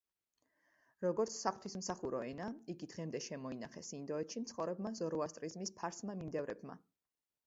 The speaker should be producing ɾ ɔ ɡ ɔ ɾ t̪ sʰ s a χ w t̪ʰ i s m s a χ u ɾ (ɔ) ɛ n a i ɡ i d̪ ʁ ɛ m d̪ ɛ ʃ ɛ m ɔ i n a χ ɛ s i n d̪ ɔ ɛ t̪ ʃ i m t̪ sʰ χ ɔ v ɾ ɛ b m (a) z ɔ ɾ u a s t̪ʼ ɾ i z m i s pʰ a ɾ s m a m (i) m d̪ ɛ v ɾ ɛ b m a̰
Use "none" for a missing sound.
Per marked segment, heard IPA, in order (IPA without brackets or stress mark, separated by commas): ɔ, a, i